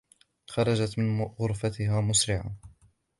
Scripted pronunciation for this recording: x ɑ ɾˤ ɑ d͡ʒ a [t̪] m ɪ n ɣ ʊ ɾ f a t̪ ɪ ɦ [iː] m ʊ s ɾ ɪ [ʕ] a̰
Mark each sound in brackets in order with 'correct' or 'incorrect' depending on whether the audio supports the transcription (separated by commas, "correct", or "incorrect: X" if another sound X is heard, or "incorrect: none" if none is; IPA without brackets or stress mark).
correct, incorrect: aː, correct